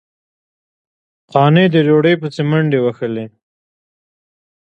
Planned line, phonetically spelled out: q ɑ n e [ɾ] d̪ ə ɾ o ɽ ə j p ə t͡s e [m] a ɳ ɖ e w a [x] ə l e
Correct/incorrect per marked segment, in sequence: incorrect: none, correct, correct

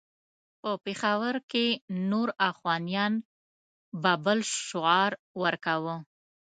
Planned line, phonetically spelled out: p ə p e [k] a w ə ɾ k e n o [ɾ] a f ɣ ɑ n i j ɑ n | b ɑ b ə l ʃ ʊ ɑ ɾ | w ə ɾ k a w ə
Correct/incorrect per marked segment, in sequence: incorrect: x, correct

